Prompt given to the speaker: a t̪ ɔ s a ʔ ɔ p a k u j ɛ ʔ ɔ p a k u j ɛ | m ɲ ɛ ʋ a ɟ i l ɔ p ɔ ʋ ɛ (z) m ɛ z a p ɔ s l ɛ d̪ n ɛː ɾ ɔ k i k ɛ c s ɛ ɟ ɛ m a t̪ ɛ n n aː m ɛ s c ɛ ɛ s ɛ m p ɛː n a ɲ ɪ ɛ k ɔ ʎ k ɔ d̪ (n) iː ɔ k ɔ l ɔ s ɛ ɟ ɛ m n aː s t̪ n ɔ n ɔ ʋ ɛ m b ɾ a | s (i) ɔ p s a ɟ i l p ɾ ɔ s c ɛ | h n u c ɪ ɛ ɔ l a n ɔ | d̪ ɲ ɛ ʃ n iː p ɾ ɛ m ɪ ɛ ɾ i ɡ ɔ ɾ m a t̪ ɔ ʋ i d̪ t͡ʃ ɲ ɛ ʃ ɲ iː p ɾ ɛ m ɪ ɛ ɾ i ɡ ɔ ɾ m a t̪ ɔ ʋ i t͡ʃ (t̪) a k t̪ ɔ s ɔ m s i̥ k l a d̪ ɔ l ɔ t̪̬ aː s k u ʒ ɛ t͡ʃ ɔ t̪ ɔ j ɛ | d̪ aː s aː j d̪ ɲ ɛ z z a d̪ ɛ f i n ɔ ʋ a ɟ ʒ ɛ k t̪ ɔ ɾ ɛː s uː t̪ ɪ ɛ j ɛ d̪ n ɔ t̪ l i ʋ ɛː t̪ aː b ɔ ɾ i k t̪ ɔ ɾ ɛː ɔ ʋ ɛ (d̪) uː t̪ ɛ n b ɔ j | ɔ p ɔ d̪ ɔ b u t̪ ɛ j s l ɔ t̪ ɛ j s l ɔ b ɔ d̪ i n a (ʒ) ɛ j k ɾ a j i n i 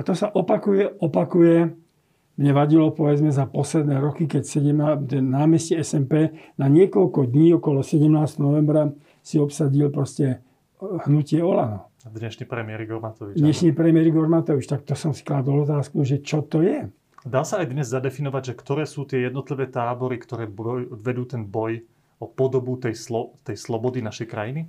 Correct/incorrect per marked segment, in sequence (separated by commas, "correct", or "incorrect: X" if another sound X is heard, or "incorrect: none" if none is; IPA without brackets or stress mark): incorrect: d͡z, incorrect: ɲ, correct, correct, correct, incorrect: ʃ